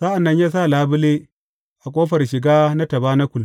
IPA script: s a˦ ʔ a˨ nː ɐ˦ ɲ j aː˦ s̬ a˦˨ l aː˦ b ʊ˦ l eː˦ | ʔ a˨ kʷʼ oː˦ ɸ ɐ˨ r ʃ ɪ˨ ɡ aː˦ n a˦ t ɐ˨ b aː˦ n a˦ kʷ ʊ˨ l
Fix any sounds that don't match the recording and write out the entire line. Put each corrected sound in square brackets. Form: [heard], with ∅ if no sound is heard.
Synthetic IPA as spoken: s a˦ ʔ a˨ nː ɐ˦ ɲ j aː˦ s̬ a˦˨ l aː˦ b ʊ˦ l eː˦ | ʔ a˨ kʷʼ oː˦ ɸ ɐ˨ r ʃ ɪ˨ ɡ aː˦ n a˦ t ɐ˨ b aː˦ n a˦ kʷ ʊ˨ l